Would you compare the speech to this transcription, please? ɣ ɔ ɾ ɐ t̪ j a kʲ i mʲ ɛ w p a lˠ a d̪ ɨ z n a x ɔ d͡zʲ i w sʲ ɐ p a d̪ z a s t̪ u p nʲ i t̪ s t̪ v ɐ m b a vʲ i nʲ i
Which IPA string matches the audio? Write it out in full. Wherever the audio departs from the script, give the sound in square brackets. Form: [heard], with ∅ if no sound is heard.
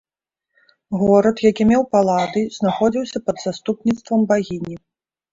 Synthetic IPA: ɣ ɔ ɾ ɐ t̪ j a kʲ i mʲ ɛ w p a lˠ a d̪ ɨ z n a x ɔ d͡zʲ i w sʲ ɐ p [ɐ] d̪ z a s t̪ u p nʲ i t̪ s t̪ v ɐ m b a [ɣʲ] i nʲ i

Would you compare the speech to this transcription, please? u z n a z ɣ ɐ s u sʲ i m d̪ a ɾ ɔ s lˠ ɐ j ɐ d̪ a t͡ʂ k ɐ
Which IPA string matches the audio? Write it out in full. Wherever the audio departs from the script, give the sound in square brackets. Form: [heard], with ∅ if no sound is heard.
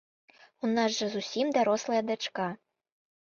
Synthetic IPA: u [∅] n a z [ʐ] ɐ [z] u sʲ i m d̪ a ɾ ɔ s lˠ ɐ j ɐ d̪ a t͡ʂ k [a]

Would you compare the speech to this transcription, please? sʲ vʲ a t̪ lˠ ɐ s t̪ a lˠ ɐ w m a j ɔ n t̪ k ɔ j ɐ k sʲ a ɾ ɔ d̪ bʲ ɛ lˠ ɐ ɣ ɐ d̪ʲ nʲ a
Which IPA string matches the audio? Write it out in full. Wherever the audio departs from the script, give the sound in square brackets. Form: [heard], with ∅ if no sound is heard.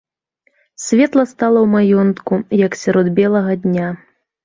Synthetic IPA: sʲ vʲ [ɛ] t̪ lˠ ɐ s t̪ a lˠ ɐ w m a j ɔ n t̪ k [u] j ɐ k sʲ a ɾ ɔ d̪ bʲ ɛ lˠ ɐ ɣ ɐ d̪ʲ nʲ a

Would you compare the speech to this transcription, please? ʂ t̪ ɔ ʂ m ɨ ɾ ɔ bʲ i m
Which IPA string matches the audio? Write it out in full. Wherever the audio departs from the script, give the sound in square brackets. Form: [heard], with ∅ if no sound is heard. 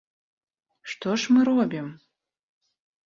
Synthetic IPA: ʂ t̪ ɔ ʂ m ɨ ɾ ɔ bʲ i m

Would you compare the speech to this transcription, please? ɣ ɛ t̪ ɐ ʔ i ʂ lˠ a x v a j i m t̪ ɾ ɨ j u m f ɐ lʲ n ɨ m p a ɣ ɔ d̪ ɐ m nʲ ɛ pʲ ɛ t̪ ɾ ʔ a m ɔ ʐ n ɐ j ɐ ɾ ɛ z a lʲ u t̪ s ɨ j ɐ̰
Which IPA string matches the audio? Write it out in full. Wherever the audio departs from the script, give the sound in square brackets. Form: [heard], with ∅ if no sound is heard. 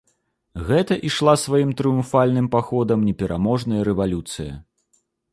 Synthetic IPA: ɣ ɛ t̪ ɐ ʔ i ʂ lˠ a [s] v a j i m t̪ ɾ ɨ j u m f [a] lʲ n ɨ m p a [x] ɔ d̪ ɐ m nʲ ɛ pʲ ɛ [∅] ɾ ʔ a m ɔ ʐ n ɐ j ɐ ɾ ɛ [v] a lʲ u t̪ s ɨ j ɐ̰

